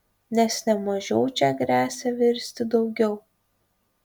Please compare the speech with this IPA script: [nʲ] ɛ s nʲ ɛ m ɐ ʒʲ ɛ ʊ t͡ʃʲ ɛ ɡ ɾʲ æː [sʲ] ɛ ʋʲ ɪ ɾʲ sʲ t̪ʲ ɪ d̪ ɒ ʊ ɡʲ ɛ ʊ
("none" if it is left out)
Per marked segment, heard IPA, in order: nʲ, sʲ

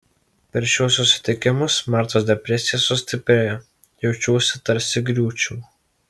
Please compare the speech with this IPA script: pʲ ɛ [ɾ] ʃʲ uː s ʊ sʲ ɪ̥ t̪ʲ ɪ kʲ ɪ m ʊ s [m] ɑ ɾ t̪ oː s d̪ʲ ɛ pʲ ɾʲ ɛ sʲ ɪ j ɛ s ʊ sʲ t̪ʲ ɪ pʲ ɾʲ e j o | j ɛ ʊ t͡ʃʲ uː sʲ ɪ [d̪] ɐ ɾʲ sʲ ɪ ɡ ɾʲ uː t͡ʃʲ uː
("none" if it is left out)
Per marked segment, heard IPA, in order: ɾ, m, t̪

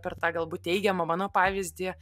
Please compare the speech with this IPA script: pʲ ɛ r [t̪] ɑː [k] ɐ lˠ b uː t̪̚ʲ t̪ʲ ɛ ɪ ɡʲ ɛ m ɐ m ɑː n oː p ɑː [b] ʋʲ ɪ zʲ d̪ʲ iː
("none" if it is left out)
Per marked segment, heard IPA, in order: t̪, ɡ, none

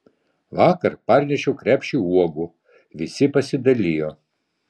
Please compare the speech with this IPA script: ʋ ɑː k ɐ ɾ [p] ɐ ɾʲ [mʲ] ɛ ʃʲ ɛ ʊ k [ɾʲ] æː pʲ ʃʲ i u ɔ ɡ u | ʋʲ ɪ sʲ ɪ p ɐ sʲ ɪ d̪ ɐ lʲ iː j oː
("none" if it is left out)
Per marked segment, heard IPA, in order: p, nʲ, ɾʲ

